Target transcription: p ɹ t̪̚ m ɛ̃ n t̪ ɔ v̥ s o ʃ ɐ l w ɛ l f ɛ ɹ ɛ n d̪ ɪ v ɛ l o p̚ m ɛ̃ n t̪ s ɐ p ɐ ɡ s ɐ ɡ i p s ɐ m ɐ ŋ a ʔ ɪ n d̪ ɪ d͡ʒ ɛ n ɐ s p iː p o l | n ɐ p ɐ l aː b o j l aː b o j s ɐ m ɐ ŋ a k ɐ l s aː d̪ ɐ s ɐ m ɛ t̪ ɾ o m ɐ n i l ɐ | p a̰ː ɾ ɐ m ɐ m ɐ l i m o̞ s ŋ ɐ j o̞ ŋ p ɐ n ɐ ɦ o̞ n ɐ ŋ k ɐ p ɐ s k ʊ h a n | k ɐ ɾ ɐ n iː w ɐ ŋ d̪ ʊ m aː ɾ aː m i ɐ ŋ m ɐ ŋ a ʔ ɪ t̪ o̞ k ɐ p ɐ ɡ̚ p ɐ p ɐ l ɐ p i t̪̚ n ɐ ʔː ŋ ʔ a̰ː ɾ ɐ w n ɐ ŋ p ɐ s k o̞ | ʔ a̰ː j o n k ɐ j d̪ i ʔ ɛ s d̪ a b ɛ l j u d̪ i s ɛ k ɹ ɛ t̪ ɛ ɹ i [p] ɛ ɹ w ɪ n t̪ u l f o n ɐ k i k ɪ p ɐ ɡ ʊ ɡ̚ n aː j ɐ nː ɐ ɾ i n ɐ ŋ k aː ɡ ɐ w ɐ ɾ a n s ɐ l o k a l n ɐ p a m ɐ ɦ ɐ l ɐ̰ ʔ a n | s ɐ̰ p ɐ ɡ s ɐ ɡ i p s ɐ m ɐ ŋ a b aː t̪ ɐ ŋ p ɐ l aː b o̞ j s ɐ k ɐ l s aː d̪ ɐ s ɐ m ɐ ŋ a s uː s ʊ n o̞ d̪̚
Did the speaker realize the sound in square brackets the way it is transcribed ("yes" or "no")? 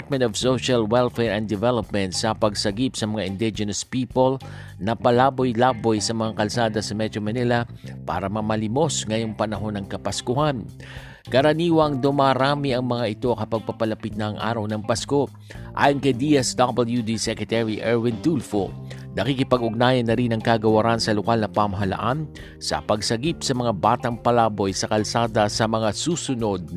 no